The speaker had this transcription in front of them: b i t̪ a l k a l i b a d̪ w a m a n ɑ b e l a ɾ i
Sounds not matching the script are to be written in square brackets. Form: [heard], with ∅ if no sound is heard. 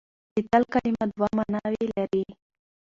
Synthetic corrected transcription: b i t̪ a l k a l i [m] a d̪ w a m a n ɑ [w] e l a ɾ i